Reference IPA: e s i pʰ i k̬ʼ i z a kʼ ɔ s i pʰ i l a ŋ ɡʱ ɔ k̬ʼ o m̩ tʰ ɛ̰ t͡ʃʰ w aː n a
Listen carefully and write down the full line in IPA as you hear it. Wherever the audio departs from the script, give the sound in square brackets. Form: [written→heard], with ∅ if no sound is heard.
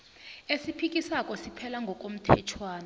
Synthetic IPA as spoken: e s i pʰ i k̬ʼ i [z→s] a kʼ ɔ s i pʰ [i→ɛ] l a ŋ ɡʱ ɔ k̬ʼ o m̩ tʰ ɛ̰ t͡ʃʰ w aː n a